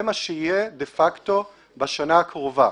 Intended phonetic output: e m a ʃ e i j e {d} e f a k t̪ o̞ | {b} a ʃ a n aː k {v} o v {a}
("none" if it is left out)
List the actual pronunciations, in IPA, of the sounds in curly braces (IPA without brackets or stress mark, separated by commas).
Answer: d, b, ʁ, a